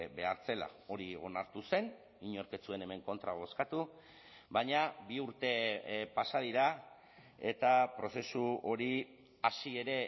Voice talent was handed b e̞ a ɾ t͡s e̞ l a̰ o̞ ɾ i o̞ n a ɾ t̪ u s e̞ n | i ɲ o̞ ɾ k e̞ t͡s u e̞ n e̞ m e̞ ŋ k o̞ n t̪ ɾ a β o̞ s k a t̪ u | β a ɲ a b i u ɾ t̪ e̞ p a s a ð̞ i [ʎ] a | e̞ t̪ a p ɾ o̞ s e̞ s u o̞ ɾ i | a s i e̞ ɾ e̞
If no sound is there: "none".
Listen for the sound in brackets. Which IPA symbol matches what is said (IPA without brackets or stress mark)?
ɾ